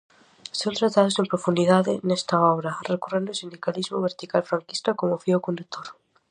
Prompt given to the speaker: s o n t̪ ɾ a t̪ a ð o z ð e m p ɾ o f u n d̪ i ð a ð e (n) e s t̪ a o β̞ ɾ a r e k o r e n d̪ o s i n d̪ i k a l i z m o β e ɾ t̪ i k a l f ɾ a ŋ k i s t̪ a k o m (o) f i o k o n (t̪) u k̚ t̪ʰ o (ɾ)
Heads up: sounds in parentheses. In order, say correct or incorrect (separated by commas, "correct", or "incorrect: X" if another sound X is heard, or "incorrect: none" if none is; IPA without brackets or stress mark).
correct, correct, incorrect: d̪, correct